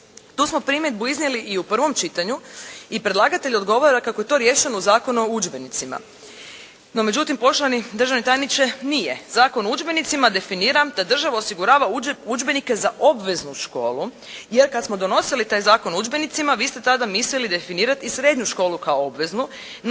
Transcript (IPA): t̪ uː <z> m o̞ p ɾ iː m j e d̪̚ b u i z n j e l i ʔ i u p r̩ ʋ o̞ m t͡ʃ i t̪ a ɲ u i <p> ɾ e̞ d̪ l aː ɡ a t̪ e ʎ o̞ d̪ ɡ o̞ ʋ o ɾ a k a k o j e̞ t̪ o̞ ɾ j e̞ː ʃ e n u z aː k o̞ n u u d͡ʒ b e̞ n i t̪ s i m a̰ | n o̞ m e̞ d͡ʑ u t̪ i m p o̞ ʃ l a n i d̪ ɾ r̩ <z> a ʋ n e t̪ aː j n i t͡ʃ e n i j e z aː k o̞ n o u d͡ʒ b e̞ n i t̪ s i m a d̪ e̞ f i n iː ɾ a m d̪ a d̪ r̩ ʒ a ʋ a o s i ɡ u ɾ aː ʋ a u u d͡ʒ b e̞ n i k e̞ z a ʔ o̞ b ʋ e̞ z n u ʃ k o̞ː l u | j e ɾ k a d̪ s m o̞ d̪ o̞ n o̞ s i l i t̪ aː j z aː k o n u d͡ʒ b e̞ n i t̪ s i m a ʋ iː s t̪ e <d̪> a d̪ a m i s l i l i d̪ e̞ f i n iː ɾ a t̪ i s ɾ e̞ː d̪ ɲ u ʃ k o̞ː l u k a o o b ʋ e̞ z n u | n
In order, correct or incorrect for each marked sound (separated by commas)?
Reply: incorrect, correct, incorrect, incorrect